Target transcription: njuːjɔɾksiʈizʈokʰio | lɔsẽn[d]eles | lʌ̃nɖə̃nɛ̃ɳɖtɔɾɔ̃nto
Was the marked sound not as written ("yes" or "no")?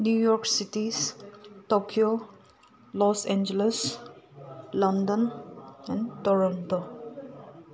yes